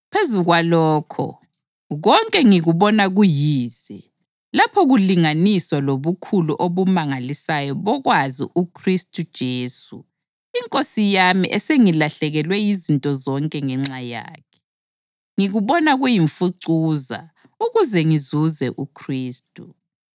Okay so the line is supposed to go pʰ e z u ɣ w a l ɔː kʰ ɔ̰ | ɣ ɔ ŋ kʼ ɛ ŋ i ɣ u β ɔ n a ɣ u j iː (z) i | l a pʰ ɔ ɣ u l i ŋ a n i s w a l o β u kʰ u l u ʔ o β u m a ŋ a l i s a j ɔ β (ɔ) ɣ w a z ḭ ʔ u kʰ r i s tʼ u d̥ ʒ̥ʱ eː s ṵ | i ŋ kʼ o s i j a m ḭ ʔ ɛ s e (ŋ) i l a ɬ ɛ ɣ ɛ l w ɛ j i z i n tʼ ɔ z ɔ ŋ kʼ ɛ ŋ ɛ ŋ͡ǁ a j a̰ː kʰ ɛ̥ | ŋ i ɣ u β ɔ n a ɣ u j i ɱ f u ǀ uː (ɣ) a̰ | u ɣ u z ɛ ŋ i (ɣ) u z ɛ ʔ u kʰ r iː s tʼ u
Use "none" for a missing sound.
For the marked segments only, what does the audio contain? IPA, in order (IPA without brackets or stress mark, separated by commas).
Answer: z, ɔ, ŋ, z, z